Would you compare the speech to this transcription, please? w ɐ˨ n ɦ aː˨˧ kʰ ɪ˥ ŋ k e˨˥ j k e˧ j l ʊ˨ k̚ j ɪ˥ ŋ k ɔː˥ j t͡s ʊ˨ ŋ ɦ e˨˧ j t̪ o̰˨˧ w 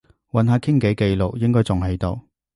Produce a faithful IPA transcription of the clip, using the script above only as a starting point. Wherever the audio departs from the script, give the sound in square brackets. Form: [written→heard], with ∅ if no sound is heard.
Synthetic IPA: w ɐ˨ n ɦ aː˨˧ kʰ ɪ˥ ŋ k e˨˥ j k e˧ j l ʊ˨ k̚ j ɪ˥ ŋ k ɔː˥ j t͡s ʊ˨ ŋ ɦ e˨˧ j t̪ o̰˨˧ w